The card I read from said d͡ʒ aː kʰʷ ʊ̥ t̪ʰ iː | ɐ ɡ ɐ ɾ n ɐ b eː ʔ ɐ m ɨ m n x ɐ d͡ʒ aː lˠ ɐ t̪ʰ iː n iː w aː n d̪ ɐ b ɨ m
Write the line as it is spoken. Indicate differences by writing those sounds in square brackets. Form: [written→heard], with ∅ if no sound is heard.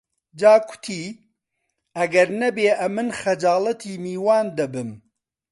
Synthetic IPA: d͡ʒ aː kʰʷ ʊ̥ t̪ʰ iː | ɐ ɡ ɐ ɾ n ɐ b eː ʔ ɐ m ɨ [m→∅] n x ɐ d͡ʒ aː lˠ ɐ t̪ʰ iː [n→m] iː w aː n d̪ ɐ b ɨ m